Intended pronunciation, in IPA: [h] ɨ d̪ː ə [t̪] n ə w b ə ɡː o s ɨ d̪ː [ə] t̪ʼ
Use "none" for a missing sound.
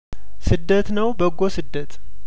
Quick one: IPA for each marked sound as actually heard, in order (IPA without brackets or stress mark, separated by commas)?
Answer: s, t̪, ə